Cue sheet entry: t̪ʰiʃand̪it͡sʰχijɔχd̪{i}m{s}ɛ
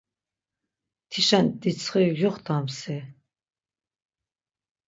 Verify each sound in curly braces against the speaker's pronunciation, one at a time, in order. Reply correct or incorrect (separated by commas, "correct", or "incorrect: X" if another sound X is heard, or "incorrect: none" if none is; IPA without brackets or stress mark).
incorrect: a, correct